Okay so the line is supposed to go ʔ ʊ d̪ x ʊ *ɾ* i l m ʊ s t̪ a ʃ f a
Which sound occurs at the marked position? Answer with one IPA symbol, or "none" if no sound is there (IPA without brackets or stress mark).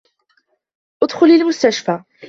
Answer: l